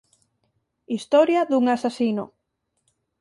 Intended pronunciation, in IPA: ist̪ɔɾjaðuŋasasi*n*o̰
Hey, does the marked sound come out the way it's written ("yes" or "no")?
yes